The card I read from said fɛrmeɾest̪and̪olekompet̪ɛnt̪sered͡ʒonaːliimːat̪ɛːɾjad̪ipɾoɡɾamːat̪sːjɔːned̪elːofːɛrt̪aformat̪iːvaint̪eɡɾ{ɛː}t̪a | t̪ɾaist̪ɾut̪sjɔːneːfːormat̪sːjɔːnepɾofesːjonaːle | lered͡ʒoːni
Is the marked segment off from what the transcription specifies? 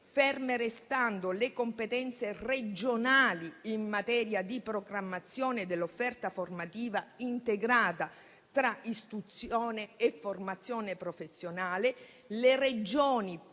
yes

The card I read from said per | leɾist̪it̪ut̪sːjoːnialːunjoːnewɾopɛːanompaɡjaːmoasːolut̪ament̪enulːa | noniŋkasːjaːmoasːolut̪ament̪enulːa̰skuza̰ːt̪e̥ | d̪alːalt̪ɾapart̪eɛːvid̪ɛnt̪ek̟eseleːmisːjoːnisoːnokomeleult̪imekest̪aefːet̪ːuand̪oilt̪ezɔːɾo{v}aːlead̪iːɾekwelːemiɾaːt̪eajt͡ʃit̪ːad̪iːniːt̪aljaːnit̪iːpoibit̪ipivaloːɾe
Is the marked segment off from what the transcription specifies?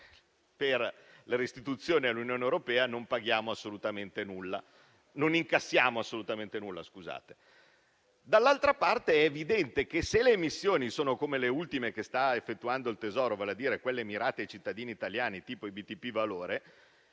no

